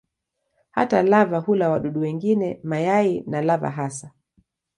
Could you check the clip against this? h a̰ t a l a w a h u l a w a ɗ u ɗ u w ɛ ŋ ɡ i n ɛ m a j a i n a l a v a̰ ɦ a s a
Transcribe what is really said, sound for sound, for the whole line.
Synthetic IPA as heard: h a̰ t a l a v a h u l a w a ɗ u ɗ u w ɛ ŋ ɡ i n ɛ m a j a i n a l a v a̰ ɦ a s a